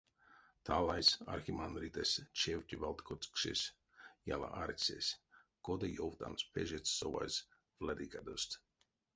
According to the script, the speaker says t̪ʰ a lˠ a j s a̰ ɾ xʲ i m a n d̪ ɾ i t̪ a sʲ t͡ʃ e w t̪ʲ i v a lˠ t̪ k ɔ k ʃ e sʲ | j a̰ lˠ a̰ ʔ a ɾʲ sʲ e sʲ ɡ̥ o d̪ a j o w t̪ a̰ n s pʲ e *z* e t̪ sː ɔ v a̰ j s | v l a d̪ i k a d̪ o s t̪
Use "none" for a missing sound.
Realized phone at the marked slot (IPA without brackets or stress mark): ʒ